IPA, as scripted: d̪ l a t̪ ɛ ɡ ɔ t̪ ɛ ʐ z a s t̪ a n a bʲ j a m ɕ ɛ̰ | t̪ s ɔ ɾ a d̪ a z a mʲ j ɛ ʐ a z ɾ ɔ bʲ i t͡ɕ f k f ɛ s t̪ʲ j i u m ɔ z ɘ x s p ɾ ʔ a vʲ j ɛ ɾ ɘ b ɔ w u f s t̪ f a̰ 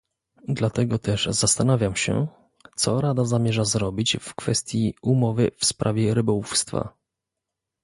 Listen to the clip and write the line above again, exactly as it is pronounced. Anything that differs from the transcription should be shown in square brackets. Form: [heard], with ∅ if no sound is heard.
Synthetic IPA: d̪ l a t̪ ɛ ɡ ɔ t̪ ɛ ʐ z a s t̪ a n a [vʲ] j a m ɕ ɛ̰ | t̪ s ɔ ɾ a d̪ a z a mʲ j ɛ ʐ a z ɾ ɔ bʲ i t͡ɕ f k f ɛ s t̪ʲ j i u m ɔ [v] ɘ [f] s p ɾ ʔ a vʲ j ɛ ɾ ɘ b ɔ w u f s t̪ f a̰

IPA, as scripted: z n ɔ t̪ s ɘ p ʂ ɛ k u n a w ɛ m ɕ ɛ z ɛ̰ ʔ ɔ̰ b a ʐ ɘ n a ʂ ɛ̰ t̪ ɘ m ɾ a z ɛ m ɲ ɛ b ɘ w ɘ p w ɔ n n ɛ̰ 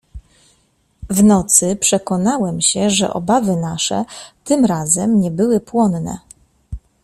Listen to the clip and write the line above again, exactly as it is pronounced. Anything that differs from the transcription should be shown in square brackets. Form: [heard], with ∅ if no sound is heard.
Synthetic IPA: [v] n ɔ t̪ s ɘ p ʂ ɛ k [ɔ] n a w ɛ m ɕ ɛ [ʐ] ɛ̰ ʔ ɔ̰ b a [v] ɘ n a ʂ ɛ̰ t̪ ɘ m ɾ a z ɛ m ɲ ɛ b ɘ w ɘ p w ɔ n n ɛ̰

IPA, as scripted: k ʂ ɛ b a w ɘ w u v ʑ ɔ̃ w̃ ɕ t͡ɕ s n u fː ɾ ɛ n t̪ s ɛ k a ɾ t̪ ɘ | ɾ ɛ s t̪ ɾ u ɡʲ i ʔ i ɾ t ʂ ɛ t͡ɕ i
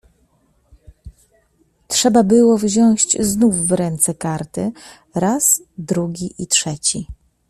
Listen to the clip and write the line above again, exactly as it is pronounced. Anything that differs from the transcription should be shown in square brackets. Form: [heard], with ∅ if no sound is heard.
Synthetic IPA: [t] ʂ ɛ b a [b] ɘ w [ɔ] v ʑ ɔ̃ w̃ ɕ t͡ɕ [z] n u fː ɾ ɛ n t̪ s ɛ k a ɾ t̪ ɘ | ɾ [a] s [d̪] ɾ u ɡʲ i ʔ i [∅] t ʂ ɛ t͡ɕ i

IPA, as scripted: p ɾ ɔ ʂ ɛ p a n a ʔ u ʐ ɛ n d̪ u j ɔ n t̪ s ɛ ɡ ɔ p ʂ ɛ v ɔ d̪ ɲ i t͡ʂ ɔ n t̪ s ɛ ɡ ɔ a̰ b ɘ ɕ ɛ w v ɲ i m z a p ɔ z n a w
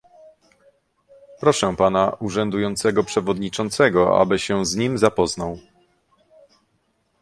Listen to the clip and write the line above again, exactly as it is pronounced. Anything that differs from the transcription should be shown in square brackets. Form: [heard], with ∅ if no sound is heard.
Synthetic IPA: p ɾ ɔ ʂ ɛ p a n a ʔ u ʐ ɛ n d̪ u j ɔ n t̪ s ɛ ɡ ɔ p ʂ ɛ v ɔ d̪ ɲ i t͡ʂ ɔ n t̪ s ɛ ɡ ɔ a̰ b ɘ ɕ ɛ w [z] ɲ i m z a p ɔ z n a w

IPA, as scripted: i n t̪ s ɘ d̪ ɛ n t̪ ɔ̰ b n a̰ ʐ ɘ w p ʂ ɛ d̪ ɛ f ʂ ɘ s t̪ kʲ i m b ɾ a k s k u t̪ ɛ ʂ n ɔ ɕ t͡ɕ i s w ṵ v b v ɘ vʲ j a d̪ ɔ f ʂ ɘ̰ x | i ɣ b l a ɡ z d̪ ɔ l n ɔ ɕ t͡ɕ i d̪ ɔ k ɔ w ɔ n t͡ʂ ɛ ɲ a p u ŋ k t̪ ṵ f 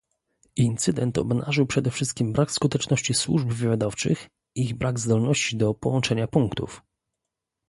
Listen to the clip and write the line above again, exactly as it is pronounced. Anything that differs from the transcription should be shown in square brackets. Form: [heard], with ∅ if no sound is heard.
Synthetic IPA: i n t̪ s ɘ d̪ ɛ n t̪ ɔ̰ b n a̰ ʐ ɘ w p ʂ ɛ d̪ ɛ f ʂ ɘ s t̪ kʲ i m b ɾ a k s k u t̪ ɛ [t͡ʂ] n ɔ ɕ t͡ɕ i s w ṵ [ʐ] b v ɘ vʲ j a d̪ ɔ f [t͡ʂ] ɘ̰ x | i ɣ b [ɾ] a ɡ z d̪ ɔ l n ɔ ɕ t͡ɕ i d̪ ɔ [p] ɔ w ɔ n t͡ʂ ɛ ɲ a p u ŋ k t̪ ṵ f

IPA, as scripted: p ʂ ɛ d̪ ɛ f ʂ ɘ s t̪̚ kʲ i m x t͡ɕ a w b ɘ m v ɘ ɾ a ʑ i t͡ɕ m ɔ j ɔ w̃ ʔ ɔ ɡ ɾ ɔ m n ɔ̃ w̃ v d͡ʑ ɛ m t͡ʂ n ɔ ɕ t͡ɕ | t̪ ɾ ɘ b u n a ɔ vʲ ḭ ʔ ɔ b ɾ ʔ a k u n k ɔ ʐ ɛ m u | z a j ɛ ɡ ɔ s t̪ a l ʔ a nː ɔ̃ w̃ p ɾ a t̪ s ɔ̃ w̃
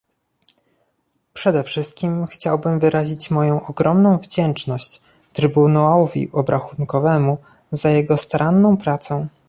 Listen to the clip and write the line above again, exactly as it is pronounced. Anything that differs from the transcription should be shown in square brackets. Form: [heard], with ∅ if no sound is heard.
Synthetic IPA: p ʂ ɛ d̪ ɛ f ʂ ɘ s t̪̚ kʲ i m x t͡ɕ a w b ɘ m v ɘ ɾ a ʑ i t͡ɕ m ɔ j [ɔ̃] w̃ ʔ ɔ ɡ ɾ ɔ m n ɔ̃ w̃ v d͡ʑ ɛ [n] t͡ʂ n ɔ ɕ t͡ɕ | t̪ ɾ ɘ b u n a ɔ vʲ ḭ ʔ ɔ b ɾ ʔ a [x] u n k ɔ [v] ɛ m u | z a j ɛ ɡ ɔ s t̪ a [ɾ] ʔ a nː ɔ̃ w̃ p ɾ a t̪ s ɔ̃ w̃

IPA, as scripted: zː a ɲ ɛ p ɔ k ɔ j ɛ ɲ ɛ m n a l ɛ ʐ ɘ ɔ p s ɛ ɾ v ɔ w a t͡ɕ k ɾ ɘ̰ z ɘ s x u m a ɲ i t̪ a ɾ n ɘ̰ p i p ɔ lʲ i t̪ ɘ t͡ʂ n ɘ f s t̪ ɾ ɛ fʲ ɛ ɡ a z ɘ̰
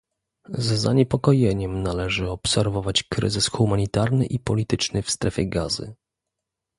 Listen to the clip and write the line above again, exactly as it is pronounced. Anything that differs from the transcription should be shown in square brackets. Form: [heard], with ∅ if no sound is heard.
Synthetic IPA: zː a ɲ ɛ p ɔ k ɔ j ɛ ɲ ɛ m n a l ɛ ʐ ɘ ɔ p s ɛ ɾ v ɔ [v] a t͡ɕ k ɾ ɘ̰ z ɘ s x u m a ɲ i t̪ a ɾ n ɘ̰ [ʔ] i p ɔ lʲ i t̪ ɘ t͡ʂ n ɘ f s t̪ ɾ ɛ fʲ ɛ ɡ a z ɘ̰

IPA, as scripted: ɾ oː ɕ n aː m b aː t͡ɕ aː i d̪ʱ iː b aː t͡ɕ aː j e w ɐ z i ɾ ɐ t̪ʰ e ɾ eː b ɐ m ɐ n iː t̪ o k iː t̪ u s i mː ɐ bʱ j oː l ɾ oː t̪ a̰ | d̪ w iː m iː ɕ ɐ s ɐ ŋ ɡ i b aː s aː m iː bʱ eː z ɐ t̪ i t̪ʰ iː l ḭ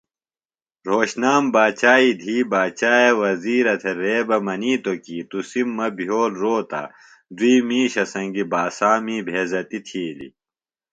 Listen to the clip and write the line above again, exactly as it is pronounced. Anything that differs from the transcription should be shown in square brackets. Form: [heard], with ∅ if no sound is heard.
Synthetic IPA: ɾ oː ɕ n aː m b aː t͡ɕ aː i d̪ʱ iː b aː t͡ɕ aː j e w ɐ z [iː] ɾ ɐ t̪ʰ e ɾ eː b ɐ m ɐ n iː t̪ o k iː t̪ u s i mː ɐ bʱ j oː l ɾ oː t̪ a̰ | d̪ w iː m iː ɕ ɐ s ɐ ŋ ɡ i b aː s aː m iː bʱ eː z ɐ t̪ i t̪ʰ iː l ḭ

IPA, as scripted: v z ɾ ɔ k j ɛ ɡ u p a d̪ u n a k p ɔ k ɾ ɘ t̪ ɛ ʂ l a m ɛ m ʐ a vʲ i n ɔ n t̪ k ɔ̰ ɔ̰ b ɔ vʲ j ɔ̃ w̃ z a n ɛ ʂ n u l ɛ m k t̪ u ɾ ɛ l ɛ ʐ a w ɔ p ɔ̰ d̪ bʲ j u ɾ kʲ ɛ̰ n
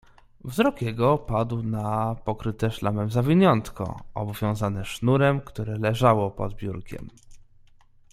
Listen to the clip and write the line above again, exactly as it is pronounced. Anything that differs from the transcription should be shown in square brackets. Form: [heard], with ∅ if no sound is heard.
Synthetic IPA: v z ɾ ɔ k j ɛ ɡ [ɔ] p a d̪ [w] n a [∅] p ɔ k ɾ ɘ t̪ ɛ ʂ l a m ɛ m [z] a vʲ i [ɲ] ɔ n t̪ k ɔ̰ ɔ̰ b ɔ vʲ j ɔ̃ w̃ z a n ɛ ʂ n u [ɾ] ɛ m k t̪ u ɾ ɛ l ɛ ʐ a w ɔ p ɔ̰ d̪ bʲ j u ɾ kʲ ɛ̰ [m]

